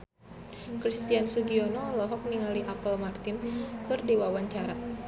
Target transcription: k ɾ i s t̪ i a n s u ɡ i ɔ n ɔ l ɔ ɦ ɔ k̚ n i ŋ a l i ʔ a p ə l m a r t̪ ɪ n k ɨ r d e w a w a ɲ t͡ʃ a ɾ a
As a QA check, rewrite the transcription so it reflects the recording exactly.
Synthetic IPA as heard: k ɾ i s t̪ i a n s u ɡ i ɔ n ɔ l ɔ ɦ ɔ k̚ n i ŋ a l i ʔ a p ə l m a r t̪ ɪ n k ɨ r d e w a w a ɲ t͡ʃ a ɾ a